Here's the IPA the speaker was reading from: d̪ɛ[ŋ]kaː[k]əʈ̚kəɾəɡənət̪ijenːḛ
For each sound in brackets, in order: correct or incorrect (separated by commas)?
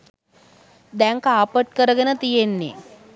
correct, incorrect